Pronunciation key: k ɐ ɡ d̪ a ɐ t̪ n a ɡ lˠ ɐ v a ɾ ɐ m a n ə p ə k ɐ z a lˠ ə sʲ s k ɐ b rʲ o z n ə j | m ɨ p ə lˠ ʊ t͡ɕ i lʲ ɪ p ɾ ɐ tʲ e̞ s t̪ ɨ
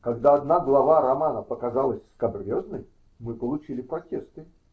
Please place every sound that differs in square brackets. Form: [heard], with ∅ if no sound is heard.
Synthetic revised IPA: k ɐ ɡ d̪ a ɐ [d̪] n a ɡ lˠ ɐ v a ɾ ɐ m a n ə p ə k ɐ z a lˠ ə sʲ s k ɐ b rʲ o z n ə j | m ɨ p ə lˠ ʊ t͡ɕ i lʲ ɪ p ɾ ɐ tʲ e̞ s t̪ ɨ